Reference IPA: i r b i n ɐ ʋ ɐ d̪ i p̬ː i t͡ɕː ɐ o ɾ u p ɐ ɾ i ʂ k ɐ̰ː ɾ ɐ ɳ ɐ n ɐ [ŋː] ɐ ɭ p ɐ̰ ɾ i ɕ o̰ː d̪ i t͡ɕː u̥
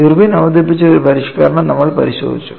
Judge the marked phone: incorrect: mː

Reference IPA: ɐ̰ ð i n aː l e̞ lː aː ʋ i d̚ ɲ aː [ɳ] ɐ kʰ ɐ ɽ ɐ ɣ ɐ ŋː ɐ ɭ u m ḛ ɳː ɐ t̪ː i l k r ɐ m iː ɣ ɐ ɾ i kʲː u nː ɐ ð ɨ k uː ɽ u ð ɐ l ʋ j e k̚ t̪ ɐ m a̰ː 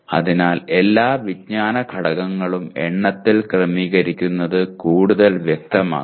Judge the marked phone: incorrect: n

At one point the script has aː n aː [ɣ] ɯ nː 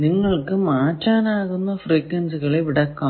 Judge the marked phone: correct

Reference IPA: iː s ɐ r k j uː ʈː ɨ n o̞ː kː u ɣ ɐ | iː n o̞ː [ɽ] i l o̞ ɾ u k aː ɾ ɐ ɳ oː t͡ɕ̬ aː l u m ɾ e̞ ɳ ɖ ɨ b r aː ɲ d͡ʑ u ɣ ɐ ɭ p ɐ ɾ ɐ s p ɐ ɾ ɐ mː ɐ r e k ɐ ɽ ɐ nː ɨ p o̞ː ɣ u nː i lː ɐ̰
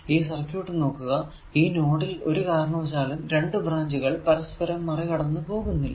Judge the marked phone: correct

